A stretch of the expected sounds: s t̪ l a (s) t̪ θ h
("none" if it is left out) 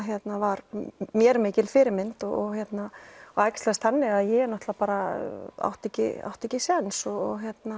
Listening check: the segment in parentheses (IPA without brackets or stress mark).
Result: s